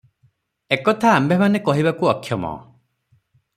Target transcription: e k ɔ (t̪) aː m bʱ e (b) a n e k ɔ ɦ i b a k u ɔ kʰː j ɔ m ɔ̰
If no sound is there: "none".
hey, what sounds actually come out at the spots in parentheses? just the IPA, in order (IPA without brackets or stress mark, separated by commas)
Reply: t̪ʰ, m